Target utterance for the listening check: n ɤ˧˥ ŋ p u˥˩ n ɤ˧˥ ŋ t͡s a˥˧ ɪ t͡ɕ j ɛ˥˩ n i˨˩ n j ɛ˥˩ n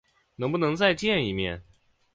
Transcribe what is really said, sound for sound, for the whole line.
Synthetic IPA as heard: n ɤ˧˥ ŋ p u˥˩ n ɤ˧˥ ŋ t͡s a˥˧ ɪ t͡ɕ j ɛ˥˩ n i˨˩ m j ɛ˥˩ n